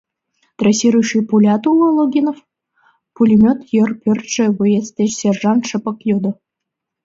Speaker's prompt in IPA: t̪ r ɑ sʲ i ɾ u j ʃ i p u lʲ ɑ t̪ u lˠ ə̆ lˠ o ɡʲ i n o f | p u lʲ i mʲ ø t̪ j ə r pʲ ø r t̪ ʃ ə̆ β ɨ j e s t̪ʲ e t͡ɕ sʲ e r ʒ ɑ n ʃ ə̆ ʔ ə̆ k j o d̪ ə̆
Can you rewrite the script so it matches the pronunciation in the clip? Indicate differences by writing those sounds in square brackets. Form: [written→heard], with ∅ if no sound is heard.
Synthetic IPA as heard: t̪ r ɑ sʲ i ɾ u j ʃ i p u lʲ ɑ t̪ u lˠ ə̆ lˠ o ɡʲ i n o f | p u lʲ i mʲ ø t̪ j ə r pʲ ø r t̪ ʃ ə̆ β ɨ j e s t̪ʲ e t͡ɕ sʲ e r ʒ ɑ n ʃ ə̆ [ʔ→p] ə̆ k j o d̪ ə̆